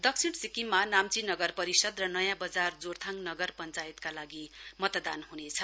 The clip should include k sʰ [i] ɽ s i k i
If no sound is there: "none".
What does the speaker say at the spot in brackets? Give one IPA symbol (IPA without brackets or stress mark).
i